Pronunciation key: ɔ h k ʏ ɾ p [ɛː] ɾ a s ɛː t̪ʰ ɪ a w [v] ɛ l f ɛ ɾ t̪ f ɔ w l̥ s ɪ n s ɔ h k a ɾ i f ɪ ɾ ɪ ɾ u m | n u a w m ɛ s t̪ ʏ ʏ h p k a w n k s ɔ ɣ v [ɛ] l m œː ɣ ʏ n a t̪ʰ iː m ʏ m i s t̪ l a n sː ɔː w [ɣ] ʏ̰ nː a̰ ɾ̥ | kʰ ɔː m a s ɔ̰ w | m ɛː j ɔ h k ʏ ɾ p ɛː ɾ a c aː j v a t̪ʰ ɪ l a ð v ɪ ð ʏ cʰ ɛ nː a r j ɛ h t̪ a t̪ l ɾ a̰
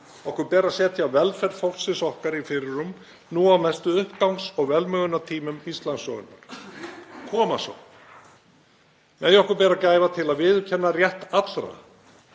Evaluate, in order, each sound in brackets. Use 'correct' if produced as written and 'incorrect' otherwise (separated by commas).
correct, correct, correct, correct